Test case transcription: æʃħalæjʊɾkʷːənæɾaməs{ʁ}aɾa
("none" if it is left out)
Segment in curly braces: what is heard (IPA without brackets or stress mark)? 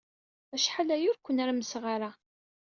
ʁ